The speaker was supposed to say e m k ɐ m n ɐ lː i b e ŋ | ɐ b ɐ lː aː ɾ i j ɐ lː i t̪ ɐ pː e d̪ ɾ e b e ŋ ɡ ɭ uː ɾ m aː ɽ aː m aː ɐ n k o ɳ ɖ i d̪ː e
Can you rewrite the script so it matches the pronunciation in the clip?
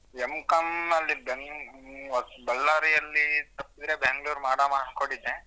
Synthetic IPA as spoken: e m k ɐ m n ɐ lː i b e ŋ | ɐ b ɐ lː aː ɾ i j ɐ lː i t̪ ɐ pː i d̪ ɾ e b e ŋ ɡ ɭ uː ɾ m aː ɽ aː m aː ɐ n k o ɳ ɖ i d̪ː e